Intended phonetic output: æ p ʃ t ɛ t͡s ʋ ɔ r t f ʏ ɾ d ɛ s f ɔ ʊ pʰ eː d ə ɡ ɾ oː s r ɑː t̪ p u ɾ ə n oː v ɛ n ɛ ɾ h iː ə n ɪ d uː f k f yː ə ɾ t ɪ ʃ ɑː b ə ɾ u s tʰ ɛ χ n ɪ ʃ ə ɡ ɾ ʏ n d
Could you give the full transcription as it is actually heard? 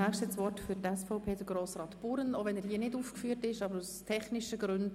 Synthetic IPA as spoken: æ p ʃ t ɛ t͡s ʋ ɔ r t f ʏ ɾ t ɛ s f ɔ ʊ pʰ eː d ə ɡ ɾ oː s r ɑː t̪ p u ɾ ə n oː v ɛ n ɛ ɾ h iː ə n ɪ d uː f k f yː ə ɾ t ɪ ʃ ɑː b ə ɾ u s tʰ ɛ χ n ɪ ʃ ə ɡ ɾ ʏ n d